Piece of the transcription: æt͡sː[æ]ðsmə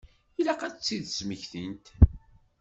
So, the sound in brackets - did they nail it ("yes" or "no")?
no